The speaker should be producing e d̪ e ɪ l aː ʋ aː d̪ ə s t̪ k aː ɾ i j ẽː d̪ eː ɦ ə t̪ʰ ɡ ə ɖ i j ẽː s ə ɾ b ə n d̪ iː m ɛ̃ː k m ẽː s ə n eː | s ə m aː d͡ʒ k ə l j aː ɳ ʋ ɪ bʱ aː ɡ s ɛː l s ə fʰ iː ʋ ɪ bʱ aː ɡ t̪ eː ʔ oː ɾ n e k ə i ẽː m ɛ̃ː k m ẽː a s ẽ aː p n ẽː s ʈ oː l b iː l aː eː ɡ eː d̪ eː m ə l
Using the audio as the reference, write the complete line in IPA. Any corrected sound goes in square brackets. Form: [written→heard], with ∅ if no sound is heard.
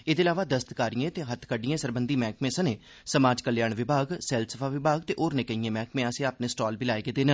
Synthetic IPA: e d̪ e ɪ l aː ʋ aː d̪ ə s t̪ k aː ɾ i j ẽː [d̪→t̪] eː ɦ ə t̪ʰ [ɡ→k] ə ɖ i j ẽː s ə ɾ b ə n d̪ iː m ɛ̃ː k m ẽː s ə n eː | s ə m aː d͡ʒ k ə l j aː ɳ ʋ ɪ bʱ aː ɡ s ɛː l s ə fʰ [iː→aː] ʋ ɪ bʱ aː ɡ t̪ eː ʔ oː ɾ n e k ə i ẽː m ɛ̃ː k m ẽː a s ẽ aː p n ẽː s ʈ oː l b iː l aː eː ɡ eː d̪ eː [m→n] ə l